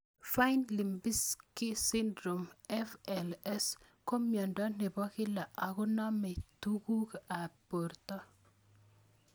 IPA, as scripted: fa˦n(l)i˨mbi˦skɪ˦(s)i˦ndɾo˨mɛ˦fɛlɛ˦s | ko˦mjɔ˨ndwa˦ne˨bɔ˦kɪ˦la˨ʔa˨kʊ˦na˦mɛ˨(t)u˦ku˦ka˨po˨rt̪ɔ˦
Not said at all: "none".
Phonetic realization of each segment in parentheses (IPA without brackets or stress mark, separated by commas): l, s, t